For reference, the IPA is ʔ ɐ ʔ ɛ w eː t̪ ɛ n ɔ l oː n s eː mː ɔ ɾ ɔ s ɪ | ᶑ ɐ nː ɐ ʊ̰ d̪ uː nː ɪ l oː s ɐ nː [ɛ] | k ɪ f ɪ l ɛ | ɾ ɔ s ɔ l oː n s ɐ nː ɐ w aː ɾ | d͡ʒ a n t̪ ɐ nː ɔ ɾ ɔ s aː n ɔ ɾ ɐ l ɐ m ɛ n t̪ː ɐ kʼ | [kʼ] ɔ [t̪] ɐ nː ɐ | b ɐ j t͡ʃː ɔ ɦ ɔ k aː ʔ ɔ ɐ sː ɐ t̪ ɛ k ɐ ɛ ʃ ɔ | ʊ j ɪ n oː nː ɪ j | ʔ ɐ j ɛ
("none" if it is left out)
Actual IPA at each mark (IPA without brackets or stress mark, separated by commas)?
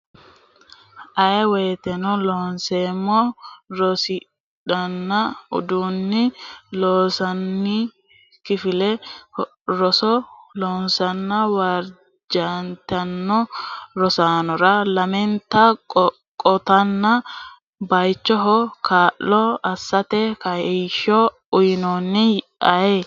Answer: i, kʼ, t̪